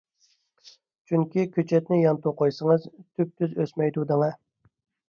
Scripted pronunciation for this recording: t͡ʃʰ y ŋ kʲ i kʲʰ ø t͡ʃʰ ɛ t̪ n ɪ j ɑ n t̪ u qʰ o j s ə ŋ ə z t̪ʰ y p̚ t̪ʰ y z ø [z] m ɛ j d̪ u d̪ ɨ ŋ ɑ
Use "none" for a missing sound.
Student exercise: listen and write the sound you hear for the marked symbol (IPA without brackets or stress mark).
s